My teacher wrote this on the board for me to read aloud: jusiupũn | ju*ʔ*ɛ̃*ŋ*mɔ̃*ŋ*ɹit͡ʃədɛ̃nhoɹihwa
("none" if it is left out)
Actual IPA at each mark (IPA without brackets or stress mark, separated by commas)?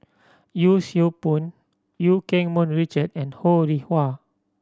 k, ŋ, n